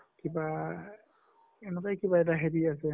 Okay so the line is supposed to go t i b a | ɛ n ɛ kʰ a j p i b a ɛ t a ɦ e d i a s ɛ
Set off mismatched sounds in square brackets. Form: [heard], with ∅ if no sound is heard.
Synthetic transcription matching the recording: [k] i b a | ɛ n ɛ [k] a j [k] i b a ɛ t a ɦ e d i a s ɛ